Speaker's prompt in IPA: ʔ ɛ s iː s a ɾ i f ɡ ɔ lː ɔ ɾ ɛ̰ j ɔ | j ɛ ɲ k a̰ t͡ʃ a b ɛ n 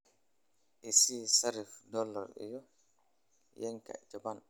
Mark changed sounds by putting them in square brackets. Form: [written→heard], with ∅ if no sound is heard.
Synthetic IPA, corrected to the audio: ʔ ɛ s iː s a ɾ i f [ɡ→d] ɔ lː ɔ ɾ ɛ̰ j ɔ | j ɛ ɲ k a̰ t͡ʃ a b [ɛ→a] n